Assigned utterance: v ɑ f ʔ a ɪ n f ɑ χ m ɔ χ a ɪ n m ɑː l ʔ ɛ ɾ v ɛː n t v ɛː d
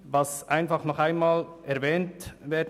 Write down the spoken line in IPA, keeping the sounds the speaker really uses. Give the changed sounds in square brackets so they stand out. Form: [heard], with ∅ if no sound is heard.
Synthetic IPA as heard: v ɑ [s] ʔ a ɪ n f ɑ χ [n] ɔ χ a ɪ n m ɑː l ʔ ɛ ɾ v ɛː n t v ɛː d